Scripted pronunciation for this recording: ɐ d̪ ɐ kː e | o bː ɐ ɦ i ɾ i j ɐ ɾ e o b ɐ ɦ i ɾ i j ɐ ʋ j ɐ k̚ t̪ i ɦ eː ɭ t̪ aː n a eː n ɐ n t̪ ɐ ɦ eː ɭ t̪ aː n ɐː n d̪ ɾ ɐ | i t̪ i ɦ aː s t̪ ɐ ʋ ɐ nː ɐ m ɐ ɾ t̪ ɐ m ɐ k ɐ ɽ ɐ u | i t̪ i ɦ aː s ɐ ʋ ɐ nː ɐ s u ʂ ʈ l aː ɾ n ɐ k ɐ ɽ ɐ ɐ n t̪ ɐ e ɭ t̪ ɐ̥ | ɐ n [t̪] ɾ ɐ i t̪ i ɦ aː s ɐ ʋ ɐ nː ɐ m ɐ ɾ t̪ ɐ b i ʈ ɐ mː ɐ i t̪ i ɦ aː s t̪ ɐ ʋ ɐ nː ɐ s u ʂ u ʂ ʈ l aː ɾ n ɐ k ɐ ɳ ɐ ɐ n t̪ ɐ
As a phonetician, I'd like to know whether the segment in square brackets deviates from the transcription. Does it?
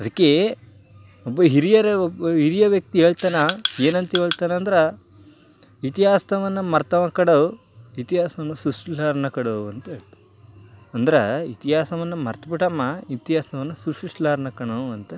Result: yes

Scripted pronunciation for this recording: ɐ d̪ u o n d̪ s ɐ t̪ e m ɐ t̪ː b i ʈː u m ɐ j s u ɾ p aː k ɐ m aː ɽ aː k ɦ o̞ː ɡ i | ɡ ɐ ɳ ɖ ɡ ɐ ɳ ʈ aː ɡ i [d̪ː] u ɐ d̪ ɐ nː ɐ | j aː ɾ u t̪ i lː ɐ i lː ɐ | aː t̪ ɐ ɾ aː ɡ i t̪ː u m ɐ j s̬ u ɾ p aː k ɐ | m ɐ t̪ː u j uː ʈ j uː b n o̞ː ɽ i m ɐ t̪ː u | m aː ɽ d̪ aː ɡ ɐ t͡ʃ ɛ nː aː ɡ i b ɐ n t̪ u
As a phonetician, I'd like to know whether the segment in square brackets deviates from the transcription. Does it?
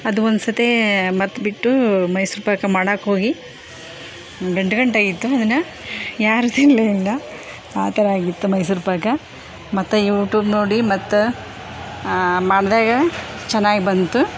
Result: yes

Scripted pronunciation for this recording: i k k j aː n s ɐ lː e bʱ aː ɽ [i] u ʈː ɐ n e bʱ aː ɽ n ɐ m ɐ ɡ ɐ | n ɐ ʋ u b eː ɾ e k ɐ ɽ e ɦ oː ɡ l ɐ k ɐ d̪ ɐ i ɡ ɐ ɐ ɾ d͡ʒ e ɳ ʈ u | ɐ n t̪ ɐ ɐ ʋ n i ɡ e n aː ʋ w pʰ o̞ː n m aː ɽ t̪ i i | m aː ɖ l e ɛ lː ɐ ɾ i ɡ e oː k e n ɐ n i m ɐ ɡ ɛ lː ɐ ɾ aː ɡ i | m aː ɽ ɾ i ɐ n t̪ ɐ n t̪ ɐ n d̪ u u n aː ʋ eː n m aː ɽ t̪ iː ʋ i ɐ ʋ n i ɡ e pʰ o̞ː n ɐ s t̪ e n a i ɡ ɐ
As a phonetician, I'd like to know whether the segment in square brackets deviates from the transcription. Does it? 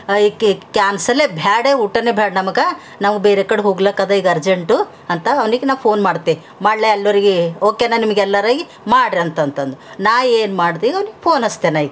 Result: yes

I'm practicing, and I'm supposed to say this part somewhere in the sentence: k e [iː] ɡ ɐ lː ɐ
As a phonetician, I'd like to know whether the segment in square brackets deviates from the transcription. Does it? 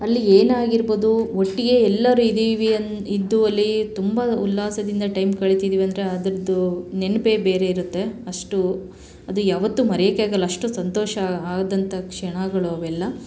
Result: yes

